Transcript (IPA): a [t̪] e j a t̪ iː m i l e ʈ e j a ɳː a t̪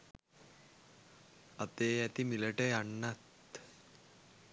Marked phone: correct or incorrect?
correct